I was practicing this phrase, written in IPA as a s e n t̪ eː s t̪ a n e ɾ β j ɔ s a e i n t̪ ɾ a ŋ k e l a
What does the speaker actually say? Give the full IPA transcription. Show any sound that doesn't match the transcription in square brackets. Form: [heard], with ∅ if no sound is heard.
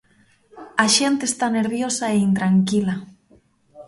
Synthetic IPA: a [ʃ] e n t̪ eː s t̪ a n e ɾ β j [o] s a e i n t̪ ɾ a ŋ k [i] l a